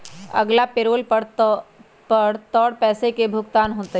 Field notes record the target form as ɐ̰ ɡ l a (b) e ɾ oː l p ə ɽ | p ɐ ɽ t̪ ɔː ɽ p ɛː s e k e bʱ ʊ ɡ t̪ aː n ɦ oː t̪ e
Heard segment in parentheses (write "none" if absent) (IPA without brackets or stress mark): p